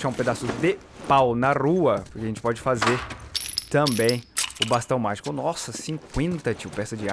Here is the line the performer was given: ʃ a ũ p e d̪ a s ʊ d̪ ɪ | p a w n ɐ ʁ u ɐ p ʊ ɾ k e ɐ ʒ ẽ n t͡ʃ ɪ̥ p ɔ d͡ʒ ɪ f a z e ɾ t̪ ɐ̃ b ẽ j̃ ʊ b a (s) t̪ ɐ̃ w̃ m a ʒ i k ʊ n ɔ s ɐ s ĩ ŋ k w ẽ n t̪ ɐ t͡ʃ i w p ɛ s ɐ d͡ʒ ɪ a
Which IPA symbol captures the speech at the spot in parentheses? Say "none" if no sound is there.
s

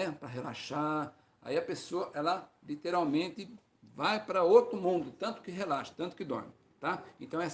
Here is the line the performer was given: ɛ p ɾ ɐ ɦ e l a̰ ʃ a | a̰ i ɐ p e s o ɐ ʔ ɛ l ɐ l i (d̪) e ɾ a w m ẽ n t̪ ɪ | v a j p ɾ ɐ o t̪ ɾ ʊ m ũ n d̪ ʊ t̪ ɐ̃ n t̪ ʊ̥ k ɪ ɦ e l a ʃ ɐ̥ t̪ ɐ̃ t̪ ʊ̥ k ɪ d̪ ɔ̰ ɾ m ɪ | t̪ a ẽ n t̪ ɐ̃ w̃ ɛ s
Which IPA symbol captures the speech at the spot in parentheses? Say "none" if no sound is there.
t̪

